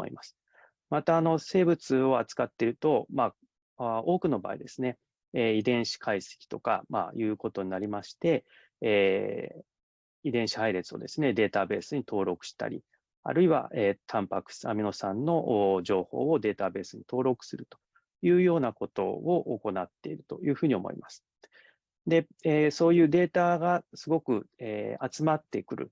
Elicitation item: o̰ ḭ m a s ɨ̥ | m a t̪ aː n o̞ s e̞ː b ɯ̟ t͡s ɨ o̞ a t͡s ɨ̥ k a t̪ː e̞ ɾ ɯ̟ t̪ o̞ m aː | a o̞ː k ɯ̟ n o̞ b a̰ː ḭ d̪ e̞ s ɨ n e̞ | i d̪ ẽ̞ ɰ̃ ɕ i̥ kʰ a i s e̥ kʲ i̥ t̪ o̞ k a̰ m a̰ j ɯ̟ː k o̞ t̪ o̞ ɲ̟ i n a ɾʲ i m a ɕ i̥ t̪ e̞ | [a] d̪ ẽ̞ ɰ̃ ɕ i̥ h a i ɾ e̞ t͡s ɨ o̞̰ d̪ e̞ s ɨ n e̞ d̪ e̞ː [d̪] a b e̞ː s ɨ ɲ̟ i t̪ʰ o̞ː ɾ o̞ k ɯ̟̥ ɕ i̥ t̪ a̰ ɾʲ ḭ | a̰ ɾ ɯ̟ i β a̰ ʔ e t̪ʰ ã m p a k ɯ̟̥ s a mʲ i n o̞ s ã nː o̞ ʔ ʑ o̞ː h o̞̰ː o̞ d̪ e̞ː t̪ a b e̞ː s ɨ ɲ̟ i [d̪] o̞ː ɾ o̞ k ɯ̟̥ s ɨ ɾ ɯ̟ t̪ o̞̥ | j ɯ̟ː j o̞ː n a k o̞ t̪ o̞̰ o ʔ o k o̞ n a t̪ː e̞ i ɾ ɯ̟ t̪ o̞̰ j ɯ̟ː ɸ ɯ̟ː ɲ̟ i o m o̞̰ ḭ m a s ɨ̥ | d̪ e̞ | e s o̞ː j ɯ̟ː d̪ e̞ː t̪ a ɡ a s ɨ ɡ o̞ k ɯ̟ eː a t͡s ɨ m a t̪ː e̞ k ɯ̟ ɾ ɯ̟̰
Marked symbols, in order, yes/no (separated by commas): no, no, no